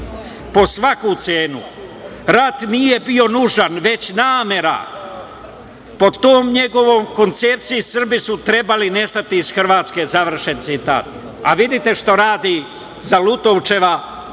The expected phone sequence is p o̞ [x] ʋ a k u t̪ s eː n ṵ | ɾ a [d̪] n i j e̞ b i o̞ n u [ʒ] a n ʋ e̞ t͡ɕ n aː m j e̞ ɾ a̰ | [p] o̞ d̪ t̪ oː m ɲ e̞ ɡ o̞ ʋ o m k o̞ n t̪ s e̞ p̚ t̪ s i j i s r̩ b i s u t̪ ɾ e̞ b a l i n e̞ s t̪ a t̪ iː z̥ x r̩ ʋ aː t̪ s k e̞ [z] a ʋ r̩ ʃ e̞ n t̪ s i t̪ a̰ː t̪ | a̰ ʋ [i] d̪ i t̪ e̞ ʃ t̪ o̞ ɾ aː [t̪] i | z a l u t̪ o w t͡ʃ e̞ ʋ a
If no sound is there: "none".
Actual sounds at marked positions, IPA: s, t̪, ʒ, p, z, i, d̪

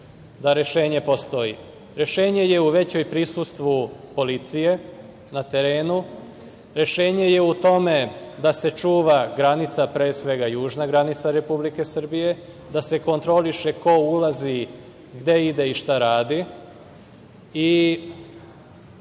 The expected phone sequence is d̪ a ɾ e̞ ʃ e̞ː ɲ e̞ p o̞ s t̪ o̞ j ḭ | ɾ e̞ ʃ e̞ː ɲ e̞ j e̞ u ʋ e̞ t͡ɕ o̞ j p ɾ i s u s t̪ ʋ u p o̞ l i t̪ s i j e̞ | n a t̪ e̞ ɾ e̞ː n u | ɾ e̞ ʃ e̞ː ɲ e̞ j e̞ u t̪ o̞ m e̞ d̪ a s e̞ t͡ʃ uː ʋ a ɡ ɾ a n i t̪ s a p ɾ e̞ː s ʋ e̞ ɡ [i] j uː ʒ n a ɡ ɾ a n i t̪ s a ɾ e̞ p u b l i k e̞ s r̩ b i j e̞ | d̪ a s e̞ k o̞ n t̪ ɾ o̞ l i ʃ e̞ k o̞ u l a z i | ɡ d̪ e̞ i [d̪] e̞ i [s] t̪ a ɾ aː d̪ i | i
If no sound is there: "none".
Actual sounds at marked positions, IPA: a, d̪, ʃ

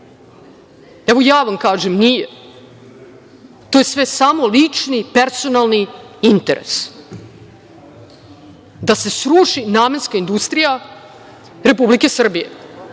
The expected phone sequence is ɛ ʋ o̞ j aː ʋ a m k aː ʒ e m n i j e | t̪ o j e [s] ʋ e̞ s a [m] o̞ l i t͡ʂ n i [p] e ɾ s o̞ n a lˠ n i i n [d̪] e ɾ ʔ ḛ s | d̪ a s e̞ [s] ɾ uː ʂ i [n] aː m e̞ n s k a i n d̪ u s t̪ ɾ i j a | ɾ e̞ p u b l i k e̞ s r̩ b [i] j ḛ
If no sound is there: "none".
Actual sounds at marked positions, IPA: s, m, p, t̪, s, n, i

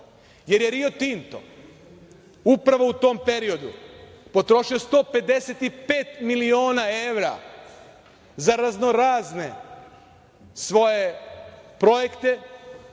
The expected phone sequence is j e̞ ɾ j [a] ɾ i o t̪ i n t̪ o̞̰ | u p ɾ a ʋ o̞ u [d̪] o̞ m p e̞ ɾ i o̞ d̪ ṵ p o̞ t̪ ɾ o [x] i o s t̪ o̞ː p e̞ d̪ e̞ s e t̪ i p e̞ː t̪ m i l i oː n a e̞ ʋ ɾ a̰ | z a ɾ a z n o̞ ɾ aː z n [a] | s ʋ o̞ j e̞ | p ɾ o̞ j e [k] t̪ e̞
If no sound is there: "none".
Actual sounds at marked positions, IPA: e, t̪, ʃ, e, k

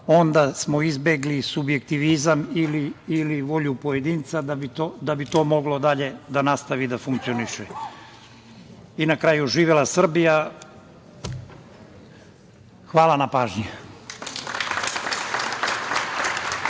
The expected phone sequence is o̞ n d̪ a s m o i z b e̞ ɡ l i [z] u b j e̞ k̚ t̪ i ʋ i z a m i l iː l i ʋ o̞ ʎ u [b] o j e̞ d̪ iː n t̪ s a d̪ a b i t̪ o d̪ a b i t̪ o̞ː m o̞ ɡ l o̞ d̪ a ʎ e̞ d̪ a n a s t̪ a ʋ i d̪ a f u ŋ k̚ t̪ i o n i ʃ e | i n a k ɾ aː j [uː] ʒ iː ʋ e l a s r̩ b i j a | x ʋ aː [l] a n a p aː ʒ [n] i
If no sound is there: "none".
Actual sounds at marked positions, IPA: s, p, u, l, ɲ

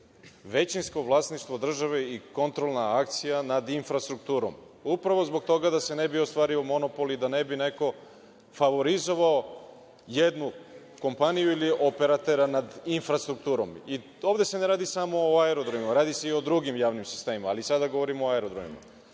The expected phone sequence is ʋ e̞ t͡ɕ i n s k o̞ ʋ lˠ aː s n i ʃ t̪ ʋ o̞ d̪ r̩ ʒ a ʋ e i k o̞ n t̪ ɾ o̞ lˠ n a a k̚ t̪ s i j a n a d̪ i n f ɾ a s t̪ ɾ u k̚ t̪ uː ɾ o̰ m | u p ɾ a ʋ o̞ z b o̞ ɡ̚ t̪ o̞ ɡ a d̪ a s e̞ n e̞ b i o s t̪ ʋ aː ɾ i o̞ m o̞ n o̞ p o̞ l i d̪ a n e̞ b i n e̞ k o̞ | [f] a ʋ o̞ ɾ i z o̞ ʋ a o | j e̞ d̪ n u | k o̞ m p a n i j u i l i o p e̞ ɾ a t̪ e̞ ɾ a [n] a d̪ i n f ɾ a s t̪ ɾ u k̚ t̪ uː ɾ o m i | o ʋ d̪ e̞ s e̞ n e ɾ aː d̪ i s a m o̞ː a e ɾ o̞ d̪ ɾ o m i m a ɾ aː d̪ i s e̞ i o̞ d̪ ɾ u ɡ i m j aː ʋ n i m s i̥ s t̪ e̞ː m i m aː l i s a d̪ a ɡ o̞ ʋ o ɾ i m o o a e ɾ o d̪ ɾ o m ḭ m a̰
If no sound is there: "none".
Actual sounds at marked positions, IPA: f, n

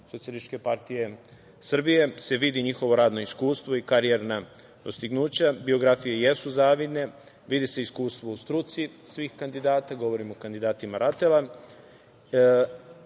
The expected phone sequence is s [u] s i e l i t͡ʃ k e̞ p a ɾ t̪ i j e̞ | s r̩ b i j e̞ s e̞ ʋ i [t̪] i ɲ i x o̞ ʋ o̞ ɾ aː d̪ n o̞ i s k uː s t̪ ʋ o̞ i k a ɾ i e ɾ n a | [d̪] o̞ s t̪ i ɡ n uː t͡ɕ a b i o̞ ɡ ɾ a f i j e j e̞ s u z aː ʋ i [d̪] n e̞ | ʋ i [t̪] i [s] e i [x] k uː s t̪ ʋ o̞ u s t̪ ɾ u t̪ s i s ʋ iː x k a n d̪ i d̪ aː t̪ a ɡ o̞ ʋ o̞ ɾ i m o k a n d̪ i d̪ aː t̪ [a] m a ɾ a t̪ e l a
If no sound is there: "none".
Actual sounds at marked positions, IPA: o, d̪, d̪, d̪, d̪, s, s, i

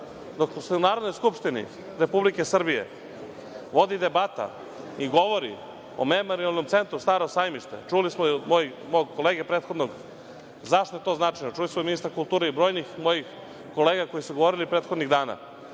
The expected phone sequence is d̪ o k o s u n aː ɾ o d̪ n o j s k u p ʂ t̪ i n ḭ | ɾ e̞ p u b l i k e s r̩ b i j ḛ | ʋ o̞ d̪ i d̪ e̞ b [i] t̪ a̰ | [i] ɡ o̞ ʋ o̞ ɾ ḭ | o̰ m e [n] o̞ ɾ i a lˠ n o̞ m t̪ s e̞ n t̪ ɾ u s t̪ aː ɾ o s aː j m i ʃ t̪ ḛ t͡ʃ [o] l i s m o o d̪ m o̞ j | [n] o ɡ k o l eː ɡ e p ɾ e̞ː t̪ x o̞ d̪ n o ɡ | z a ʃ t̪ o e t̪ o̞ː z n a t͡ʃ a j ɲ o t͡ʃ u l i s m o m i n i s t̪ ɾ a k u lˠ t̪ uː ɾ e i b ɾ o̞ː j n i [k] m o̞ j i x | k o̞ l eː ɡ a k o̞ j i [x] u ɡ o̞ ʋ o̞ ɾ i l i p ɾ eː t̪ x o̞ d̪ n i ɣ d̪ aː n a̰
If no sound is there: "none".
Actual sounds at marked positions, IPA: a, i, m, u, m, x, s

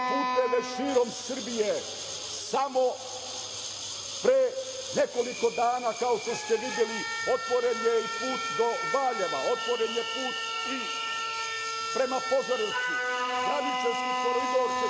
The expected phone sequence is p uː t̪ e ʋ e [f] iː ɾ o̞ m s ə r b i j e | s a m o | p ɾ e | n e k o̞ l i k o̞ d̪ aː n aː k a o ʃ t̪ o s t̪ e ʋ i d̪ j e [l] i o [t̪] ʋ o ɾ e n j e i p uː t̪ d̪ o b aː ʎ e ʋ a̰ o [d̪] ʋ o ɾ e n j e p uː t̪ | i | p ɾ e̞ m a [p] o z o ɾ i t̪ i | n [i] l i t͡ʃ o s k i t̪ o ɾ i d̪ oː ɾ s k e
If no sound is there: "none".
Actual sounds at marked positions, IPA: ʃ, l, t̪, t̪, p, a

